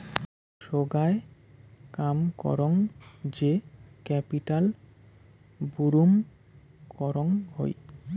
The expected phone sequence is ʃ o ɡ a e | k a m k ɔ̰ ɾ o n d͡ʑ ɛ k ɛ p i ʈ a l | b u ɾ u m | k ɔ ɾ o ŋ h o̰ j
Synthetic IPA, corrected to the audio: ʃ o ɡ a e | k a m k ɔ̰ ɾ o ŋ d͡ʑ e k ɛ p i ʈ a l | b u ɾ u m | k ɔ ɾ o ŋ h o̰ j